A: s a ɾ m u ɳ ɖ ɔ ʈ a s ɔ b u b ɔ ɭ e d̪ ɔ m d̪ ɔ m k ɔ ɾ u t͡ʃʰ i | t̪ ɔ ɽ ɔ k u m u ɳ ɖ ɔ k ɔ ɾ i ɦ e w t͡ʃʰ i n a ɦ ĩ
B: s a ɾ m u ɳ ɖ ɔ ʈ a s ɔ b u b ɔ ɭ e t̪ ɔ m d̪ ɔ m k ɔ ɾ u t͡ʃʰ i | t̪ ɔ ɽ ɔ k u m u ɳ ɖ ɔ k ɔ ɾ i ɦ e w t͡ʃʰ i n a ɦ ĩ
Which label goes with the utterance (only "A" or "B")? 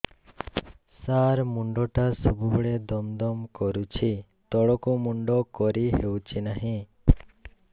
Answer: A